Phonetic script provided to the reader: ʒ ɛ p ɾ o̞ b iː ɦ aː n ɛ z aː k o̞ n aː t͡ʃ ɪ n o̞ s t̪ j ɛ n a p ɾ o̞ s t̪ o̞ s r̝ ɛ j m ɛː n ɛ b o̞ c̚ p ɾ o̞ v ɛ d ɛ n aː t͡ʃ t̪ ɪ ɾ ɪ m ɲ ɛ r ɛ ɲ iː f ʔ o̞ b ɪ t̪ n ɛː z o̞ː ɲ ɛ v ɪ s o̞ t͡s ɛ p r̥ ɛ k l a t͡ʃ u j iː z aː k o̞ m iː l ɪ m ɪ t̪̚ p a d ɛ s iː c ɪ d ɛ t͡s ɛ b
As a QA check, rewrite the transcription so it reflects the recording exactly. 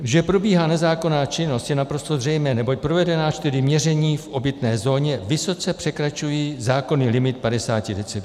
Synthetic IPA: ʒ ɛ p ɾ o̞ b iː ɦ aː n ɛ z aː k o̞ n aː t͡ʃ ɪ n o̞ s t̪ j ɛ n a p ɾ o̞ s t̪ o̞ z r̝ ɛ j m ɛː n ɛ b o̞ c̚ p ɾ o̞ v ɛ d ɛ n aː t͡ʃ t̪ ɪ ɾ ɪ m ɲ ɛ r ɛ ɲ iː f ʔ o̞ b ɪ t̪ n ɛː z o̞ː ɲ ɛ v ɪ s o̞ t͡s ɛ p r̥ ɛ k ɾ a t͡ʃ u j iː z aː k o̞ n iː l ɪ m ɪ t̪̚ p a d ɛ s aː c ɪ d ɛ t͡s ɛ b